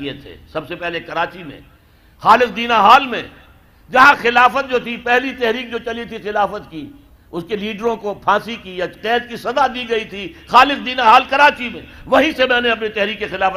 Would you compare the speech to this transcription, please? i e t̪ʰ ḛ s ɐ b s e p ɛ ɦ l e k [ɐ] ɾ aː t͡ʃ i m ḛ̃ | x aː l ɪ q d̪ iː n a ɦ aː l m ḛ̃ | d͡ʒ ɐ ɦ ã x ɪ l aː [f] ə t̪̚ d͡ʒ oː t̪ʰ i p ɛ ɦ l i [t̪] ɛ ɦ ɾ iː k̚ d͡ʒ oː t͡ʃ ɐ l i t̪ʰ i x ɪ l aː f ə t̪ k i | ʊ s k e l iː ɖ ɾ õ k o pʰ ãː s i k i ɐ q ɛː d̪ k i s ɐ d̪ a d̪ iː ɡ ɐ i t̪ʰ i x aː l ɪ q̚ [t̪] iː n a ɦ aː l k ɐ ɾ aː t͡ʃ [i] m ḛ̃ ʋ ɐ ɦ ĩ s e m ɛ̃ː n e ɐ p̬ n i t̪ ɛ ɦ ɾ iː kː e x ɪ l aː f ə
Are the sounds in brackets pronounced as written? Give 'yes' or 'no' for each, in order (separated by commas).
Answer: yes, yes, yes, no, yes